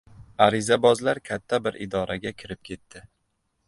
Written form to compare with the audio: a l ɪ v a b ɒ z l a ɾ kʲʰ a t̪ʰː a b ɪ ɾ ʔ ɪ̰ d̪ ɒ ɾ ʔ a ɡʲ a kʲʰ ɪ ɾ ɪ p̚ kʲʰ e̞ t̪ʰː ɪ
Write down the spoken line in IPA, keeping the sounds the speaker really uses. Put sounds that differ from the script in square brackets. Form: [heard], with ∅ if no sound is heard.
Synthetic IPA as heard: a [ɾ] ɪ [z] a b ɒ z l a ɾ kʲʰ a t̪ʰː a b ɪ ɾ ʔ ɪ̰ d̪ ɒ ɾ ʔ a ɡʲ a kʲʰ ɪ ɾ ɪ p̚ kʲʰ e̞ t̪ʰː ɪ